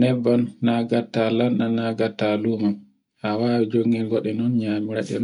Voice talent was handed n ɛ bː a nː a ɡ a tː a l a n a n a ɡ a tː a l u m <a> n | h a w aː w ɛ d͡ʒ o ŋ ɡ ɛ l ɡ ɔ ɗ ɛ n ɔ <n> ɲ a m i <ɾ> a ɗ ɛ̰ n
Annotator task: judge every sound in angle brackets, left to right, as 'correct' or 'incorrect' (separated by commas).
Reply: correct, correct, correct